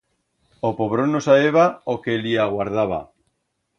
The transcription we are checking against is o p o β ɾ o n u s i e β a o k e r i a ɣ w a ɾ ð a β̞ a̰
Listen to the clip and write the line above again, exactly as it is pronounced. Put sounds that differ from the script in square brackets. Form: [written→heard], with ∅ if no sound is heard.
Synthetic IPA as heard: o p o β ɾ o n [u→o] s [i→a] e β a o k e [r→l] i a ɣ w a ɾ ð a β̞ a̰